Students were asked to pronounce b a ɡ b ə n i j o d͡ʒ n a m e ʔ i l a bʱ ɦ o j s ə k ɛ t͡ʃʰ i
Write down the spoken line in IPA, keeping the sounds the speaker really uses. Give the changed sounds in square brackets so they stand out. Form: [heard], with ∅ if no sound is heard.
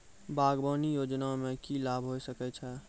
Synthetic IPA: b a ɡ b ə n i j o d͡ʒ n a m e [k] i l a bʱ ɦ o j s ə k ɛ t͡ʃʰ [ɛ]